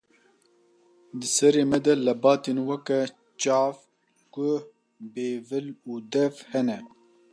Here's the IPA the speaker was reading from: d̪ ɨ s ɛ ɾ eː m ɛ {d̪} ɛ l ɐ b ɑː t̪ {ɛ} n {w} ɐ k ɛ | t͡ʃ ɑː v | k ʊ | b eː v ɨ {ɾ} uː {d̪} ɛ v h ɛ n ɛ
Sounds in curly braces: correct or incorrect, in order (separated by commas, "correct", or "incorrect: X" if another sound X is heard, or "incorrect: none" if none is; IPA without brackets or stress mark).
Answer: correct, incorrect: e, correct, incorrect: l, correct